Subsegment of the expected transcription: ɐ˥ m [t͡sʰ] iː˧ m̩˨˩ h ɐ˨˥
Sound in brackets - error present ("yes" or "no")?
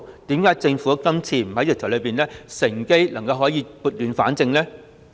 no